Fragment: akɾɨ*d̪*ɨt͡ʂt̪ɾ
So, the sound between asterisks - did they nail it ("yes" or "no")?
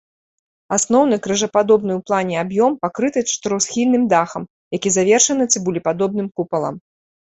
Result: no